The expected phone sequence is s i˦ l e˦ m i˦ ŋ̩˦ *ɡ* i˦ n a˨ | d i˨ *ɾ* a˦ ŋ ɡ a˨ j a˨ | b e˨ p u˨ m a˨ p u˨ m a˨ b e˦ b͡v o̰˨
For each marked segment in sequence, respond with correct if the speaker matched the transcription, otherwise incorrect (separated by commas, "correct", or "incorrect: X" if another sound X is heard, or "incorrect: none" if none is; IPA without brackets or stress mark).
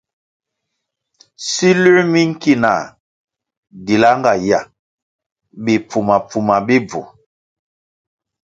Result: incorrect: k, incorrect: l